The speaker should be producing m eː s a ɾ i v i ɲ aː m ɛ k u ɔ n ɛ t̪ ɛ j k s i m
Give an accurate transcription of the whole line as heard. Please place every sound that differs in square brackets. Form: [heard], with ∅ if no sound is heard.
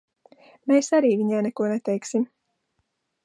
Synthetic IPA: m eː s a ɾ [iː] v i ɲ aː [n] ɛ k u ɔ n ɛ t̪ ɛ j k s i m